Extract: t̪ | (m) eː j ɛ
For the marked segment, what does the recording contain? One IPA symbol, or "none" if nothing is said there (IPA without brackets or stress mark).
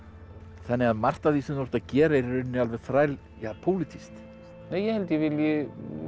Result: n